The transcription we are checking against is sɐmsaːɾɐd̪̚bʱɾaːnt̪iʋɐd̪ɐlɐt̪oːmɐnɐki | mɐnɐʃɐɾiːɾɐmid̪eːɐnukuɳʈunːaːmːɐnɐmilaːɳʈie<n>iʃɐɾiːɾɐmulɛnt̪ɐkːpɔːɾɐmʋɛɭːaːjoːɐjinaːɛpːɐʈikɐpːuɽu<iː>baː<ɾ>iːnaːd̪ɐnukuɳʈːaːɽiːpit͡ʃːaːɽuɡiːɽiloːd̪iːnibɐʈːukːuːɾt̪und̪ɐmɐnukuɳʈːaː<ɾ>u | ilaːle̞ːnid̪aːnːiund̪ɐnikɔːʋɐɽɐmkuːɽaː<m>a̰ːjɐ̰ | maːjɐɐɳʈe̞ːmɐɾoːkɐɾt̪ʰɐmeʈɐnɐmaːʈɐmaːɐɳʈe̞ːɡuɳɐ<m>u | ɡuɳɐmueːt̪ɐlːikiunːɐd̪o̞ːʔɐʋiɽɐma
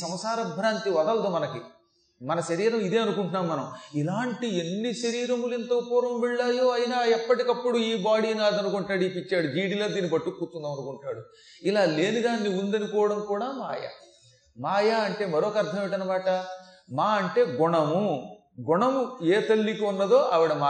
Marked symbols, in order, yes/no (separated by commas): no, yes, no, no, yes, yes